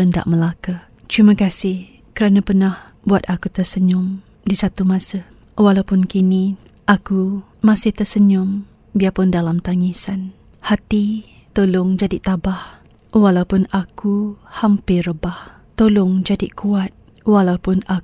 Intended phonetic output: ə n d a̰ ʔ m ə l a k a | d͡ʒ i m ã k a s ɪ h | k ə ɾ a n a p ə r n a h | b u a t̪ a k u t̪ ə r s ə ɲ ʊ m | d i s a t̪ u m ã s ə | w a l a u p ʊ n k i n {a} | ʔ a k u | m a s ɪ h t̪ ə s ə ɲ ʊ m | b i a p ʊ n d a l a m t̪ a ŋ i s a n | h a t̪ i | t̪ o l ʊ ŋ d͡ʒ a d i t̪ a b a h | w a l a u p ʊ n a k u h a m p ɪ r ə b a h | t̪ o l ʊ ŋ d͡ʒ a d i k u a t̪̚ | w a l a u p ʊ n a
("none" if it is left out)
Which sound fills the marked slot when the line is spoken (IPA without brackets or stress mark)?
i